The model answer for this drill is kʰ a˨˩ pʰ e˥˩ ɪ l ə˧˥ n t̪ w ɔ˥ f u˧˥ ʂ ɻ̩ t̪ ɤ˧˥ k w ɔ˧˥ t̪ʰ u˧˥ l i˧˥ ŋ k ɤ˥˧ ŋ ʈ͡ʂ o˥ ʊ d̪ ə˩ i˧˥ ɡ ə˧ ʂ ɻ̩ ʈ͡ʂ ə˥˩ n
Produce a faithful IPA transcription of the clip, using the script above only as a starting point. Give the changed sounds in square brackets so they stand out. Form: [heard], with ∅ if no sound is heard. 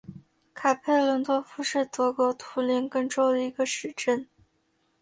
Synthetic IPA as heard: kʰ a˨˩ pʰ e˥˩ ɪ l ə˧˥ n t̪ w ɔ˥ f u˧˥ ʂ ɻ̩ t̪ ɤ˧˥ k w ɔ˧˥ t̪ʰ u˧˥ l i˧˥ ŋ k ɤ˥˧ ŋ ʈ͡ʂ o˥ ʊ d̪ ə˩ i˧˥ ɡ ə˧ ʂ ɻ̩ ʈ͡ʂ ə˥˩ n

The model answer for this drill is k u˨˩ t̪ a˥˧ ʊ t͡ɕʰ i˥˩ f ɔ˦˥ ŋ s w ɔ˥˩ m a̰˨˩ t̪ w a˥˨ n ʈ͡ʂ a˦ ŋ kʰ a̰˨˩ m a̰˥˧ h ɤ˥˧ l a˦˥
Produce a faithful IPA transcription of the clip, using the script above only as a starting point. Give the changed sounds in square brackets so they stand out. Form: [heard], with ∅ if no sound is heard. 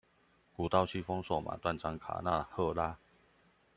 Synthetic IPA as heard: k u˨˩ t̪ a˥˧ ʊ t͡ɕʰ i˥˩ f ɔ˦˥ ŋ s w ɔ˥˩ m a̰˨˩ t̪ w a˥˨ n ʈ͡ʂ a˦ ŋ kʰ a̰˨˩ [n] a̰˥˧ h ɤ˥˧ l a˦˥

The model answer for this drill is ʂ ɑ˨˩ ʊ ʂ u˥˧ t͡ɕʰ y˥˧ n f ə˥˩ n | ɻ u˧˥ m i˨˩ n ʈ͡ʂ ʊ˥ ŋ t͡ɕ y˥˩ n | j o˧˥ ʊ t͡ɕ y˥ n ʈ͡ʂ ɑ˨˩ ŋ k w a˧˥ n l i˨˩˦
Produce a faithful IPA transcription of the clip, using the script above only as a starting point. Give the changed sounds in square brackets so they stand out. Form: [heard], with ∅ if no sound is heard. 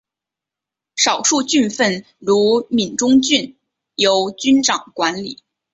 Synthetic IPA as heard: ʂ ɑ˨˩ ʊ ʂ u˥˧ [t͡ɕ] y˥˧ n f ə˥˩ n | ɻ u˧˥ m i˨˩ n ʈ͡ʂ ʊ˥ ŋ t͡ɕ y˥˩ n | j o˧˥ ʊ t͡ɕ y˥ n ʈ͡ʂ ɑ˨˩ ŋ k w a˧˥ n l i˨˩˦

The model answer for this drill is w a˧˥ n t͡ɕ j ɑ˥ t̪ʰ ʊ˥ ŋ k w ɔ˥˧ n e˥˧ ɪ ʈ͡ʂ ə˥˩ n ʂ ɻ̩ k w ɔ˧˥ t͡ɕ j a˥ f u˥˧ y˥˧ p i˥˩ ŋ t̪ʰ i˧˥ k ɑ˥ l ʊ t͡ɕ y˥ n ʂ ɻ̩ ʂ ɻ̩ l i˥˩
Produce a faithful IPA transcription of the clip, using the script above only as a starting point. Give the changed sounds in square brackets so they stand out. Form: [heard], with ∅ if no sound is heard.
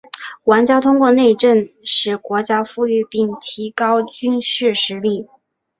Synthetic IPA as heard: w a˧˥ n t͡ɕ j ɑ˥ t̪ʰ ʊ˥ ŋ k w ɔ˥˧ n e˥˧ ɪ ʈ͡ʂ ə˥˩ n ʂ ɻ̩ k w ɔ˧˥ t͡ɕ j a˥ f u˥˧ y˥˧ p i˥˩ ŋ t̪ʰ i˧˥ k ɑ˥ [∅] ʊ t͡ɕ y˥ n ʂ ɻ̩ ʂ ɻ̩ l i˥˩

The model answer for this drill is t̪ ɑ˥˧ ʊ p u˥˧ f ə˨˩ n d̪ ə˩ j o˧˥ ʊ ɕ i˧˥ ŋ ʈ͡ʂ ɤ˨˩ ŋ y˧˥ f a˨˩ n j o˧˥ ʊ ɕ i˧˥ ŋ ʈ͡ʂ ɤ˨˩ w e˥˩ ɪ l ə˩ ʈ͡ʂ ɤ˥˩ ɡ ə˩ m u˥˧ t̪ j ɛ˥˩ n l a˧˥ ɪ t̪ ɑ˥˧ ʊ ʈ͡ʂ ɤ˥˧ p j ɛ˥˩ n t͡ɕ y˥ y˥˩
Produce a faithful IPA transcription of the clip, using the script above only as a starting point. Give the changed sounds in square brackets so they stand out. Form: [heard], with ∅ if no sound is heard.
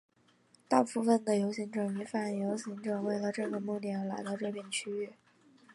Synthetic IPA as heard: t̪ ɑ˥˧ ʊ p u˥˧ f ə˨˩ n d̪ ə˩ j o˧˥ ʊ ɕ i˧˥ ŋ ʈ͡ʂ ɤ˨˩ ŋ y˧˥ f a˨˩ n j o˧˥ ʊ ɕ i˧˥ ŋ ʈ͡ʂ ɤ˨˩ w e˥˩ ɪ l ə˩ ʈ͡ʂ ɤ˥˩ ɡ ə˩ m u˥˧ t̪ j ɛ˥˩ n l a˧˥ ɪ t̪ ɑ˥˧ ʊ ʈ͡ʂ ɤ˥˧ p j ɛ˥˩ n [t͡ɕʰ] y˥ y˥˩

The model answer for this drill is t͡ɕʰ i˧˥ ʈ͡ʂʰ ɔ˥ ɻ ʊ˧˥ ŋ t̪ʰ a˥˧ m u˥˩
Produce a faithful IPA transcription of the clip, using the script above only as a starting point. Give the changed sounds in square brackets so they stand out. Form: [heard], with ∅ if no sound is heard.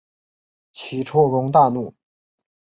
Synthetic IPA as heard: t͡ɕʰ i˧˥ ʈ͡ʂʰ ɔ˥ ɻ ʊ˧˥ ŋ [t̪] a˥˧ [n] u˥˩

